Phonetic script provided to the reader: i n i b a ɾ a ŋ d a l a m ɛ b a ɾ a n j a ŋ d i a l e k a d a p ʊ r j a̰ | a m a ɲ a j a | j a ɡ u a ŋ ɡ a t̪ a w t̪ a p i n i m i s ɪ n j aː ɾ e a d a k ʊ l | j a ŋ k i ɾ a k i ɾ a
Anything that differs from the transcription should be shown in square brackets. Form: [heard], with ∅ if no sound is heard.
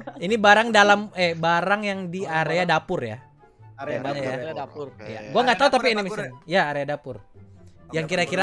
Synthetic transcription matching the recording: i n i b a ɾ a ŋ d a l a m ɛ b a ɾ a [ŋ] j a ŋ d i a [ɾ] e [∅] a d a p ʊ r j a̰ | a m a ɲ a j a | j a ɡ u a ŋ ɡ a t̪ a [u] t̪ a p i n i m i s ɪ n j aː ɾ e a d a [p] ʊ [r] | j a ŋ k i ɾ a k i ɾ a

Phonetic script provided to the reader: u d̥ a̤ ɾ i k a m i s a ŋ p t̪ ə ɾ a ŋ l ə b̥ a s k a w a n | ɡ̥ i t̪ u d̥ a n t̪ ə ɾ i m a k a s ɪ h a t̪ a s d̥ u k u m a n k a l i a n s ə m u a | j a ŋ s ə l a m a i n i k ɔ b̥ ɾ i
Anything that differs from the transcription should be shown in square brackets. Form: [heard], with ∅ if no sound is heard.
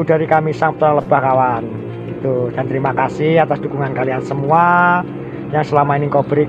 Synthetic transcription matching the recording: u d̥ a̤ ɾ i k a m i s a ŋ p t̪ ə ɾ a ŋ l ə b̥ a [h] k a w a n | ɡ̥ i t̪ u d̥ a n t̪ ə ɾ i m a k a s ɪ h a t̪ a s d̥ u k u [ŋ] a n k a l i a n s ə m u a | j a ŋ s ə l a m a i n i k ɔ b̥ ɾ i

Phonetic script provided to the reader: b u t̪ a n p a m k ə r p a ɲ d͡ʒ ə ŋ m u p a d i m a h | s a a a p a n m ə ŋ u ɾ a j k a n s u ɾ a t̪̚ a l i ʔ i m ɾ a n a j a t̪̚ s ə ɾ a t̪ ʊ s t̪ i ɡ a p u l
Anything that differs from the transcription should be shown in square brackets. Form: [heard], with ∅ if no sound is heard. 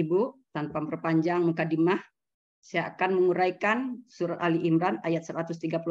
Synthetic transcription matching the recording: b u t̪ a n p a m [p] ə r p a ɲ d͡ʒ [a] ŋ m u [k] a d i m a h | s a a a [k] a n m ə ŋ u ɾ a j k a n s u ɾ a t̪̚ a l i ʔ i m ɾ a n a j a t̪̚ s ə ɾ a t̪ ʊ s t̪ i ɡ a p u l

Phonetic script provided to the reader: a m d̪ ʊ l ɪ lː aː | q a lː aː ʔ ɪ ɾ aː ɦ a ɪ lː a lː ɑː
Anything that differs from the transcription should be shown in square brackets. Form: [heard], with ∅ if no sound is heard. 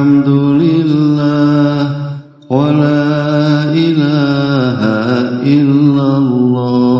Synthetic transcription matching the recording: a m d̪ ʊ l ɪ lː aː | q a [l] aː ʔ ɪ [l] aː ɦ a ɪ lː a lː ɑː

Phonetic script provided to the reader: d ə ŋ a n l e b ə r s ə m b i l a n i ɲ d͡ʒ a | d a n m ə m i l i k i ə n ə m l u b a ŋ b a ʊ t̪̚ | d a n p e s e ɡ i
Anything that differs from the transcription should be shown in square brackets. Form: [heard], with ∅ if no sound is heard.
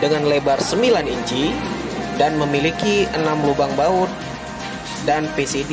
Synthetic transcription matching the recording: d ə ŋ a n l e b [a] r s ə m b i l a n i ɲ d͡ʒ [i] | d a n m ə m i l i k i ə n [a] m l u b a ŋ b a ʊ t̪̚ | d a n p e s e [d] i

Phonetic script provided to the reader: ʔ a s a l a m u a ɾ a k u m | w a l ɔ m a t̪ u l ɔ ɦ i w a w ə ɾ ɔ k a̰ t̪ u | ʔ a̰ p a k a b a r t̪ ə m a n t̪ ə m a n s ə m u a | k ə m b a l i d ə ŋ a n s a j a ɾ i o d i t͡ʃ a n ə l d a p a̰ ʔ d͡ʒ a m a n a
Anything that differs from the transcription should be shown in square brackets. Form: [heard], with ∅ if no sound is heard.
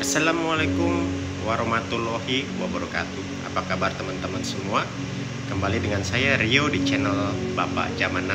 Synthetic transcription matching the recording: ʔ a s a l a m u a [l] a k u m | w a [ɾ] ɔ m a t̪ u l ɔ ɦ i w a [b] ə ɾ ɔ k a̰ t̪ u | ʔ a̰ p a k a b a r t̪ ə m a n t̪ ə m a n s ə m u a | k ə m b a l i d ə ŋ a n s a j a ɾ i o d i t͡ʃ [ɛ] n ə l [b] a p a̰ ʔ d͡ʒ a m a n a

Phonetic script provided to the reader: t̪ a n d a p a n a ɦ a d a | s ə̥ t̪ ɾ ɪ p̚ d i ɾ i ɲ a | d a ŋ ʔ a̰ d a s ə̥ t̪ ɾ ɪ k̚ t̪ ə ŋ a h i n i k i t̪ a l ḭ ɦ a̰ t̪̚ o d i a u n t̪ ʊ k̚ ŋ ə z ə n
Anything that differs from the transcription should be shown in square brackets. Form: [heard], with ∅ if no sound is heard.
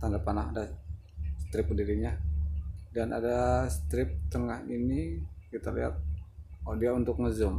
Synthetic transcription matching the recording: t̪ a n d a p a n a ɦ a d a | s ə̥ t̪ ɾ ɪ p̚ d i ɾ i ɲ a | d a [n] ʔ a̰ d a s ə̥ t̪ ɾ ɪ [p̚] t̪ ə ŋ a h i n i k i t̪ a l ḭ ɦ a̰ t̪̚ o d i a u n t̪ ʊ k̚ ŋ ə z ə [m]

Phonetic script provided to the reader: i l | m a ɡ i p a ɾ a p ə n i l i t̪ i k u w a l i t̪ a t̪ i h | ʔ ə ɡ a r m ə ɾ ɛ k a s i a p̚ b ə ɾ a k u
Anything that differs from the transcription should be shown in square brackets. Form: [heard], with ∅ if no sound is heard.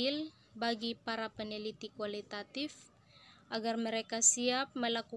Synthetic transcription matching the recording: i l | [b] a ɡ i p a ɾ a p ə n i l i t̪ i k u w a l i t̪ a t̪ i [f] | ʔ [a] ɡ a r m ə ɾ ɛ k a s i a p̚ [m] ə [l] a k u

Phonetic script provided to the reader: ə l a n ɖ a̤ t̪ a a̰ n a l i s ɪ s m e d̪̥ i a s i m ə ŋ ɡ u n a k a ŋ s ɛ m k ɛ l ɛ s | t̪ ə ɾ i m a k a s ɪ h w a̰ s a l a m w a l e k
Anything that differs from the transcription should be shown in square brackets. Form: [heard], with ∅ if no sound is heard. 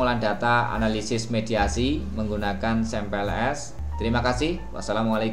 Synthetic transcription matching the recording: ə l a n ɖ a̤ t̪ a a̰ n a l i s ɪ s m e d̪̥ i a s i m ə ŋ ɡ u n a k a [n] s ɛ m [p] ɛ l ɛ s | t̪ ə ɾ i m a k a s ɪ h w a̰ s a l a m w a l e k

